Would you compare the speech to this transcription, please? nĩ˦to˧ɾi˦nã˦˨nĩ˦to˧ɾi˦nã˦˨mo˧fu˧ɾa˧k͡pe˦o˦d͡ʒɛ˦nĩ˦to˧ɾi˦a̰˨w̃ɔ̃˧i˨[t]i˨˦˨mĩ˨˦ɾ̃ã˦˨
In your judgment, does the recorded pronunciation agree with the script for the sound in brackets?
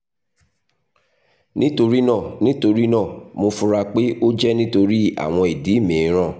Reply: no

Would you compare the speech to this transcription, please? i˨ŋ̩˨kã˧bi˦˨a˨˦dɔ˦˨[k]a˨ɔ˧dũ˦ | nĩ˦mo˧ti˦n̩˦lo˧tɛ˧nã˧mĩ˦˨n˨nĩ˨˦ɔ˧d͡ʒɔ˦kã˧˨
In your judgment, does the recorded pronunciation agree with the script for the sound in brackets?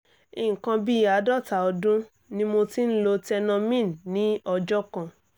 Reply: no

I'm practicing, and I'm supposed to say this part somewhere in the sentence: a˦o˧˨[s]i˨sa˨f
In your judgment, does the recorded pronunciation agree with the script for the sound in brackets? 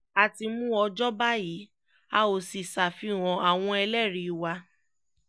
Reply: yes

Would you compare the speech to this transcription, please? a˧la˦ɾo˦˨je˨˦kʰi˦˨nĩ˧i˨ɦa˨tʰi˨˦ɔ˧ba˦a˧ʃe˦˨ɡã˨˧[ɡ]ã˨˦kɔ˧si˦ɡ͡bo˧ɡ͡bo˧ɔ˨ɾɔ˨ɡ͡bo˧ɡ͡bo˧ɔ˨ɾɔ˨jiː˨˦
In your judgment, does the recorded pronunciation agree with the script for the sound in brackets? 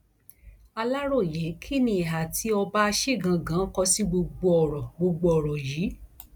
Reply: yes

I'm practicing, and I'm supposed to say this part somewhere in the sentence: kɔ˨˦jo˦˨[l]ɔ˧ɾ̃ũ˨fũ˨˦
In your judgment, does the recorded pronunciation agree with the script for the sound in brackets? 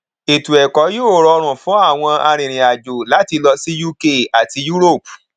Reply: no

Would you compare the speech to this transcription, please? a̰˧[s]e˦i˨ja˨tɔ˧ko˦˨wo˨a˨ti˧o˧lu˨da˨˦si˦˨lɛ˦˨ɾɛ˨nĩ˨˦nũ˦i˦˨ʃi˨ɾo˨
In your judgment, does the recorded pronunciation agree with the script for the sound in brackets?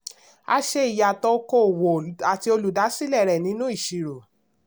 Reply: no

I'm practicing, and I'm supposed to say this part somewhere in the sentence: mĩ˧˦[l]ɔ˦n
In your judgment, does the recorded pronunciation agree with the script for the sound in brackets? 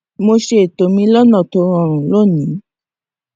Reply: yes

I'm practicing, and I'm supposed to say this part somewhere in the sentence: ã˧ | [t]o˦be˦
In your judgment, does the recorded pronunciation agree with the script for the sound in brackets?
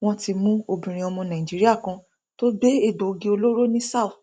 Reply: yes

